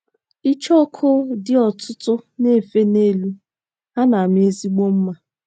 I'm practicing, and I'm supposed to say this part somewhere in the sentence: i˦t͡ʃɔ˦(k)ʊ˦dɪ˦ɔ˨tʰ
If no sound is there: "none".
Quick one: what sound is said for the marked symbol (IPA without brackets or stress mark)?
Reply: kʰ